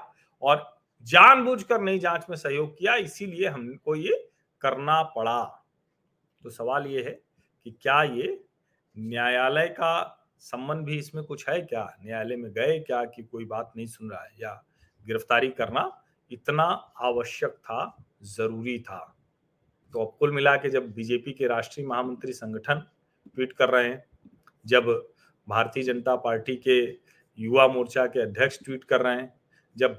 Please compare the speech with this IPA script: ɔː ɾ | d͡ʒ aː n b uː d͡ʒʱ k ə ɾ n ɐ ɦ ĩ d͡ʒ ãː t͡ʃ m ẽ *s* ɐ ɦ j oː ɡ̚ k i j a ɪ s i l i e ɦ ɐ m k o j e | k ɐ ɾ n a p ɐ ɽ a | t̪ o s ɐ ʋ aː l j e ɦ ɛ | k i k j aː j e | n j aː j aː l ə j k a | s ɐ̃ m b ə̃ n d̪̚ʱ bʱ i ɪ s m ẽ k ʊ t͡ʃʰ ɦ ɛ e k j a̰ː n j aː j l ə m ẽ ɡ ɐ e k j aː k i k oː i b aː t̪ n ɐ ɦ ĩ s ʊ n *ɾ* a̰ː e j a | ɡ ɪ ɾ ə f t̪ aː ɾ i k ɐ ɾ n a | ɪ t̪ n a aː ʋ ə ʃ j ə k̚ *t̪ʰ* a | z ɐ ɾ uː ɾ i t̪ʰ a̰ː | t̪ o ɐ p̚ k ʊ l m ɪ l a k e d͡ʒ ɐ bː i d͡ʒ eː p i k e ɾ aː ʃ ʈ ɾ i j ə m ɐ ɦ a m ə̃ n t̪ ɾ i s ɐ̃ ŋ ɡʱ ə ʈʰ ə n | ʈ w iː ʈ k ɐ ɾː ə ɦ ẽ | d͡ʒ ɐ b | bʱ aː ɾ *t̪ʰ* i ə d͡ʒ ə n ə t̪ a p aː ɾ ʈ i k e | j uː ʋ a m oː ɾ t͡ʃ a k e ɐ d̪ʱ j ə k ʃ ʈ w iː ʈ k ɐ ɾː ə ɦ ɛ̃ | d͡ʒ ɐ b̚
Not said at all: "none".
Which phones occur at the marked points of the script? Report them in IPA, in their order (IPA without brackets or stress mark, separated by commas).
s, ɾ, t̪ʰ, t̪